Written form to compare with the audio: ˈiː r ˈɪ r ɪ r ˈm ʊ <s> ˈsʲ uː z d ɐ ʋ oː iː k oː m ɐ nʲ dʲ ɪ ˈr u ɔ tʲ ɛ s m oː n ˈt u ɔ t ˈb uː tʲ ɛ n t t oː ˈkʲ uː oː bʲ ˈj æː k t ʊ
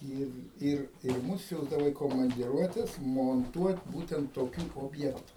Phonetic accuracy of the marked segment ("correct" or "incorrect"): correct